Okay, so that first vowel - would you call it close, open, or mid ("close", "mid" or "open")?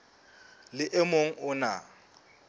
close